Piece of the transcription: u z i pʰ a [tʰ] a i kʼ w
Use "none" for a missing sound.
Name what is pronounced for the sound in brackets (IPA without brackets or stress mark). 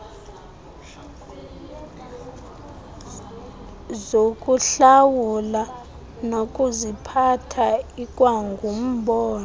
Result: tʰ